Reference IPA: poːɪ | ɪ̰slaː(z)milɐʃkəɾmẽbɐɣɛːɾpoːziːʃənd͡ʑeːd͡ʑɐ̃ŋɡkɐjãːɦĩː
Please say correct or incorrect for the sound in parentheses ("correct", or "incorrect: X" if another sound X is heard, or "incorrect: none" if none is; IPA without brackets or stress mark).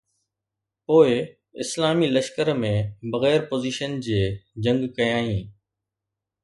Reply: incorrect: none